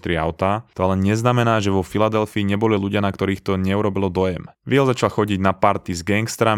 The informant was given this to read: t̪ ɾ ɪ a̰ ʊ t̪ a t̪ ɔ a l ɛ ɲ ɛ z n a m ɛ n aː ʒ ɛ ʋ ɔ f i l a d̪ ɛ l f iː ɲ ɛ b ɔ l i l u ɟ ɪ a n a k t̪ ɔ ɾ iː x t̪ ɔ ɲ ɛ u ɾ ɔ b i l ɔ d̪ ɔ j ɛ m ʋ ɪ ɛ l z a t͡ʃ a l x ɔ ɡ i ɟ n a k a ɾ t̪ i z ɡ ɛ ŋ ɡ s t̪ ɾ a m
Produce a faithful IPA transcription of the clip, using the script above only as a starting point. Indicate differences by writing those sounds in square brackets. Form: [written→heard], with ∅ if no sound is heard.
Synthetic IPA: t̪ ɾ ɪ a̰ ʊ t̪ a t̪ ɔ a l ɛ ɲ ɛ z n a m ɛ n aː ʒ ɛ ʋ ɔ f i l a d̪ ɛ l f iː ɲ ɛ b ɔ l i l u ɟ ɪ a n a k t̪ ɔ ɾ iː x t̪ ɔ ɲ ɛ u ɾ ɔ b i l ɔ d̪ ɔ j ɛ m ʋ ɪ ɛ l z a t͡ʃ a l x ɔ [ɡ→ɟ] i ɟ n a [k→p] a ɾ t̪ i z ɡ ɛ ŋ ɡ s t̪ ɾ a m